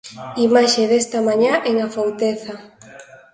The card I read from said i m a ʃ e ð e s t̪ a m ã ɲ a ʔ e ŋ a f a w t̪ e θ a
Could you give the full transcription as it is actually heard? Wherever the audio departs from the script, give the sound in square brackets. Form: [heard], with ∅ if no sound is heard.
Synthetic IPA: i m a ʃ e ð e s t̪ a m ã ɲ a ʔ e ŋ a f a w t̪ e θ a